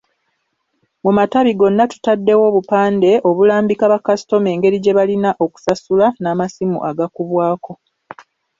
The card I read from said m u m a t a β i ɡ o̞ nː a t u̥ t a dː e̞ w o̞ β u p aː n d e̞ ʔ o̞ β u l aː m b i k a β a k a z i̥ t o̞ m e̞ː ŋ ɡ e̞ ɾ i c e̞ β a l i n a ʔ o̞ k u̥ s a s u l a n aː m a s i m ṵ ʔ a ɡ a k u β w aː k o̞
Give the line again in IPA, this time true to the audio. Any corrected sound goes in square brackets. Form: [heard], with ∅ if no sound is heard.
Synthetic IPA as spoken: m u m a t a β i ɡ o̞ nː a t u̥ t a dː e̞ w o̞ β u p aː n d e̞ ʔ o̞ β u l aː m b i k a β a k a [s] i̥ t o̞ m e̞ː ŋ ɡ e̞ ɾ i [ɟ] e̞ β a l i n a ʔ o̞ k u̥ s a s u l a n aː m a s i m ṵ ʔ a ɡ a k u β w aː k o̞